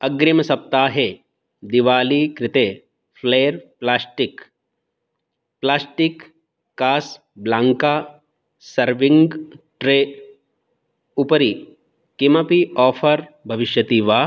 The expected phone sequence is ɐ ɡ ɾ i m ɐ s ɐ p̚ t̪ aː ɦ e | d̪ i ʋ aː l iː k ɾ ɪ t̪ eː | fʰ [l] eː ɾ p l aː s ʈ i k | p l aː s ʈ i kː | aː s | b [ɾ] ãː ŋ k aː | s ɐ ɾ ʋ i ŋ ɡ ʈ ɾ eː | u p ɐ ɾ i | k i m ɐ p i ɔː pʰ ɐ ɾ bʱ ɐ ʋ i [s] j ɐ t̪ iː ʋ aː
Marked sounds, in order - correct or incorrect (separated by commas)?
correct, incorrect, incorrect